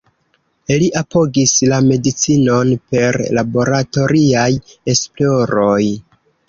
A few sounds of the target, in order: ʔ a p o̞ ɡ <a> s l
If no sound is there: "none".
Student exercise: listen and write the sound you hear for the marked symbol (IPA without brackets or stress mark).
i